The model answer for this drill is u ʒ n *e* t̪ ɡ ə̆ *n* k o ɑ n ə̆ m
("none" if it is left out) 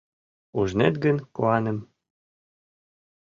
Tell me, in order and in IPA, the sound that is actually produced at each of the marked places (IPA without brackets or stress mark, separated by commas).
e, n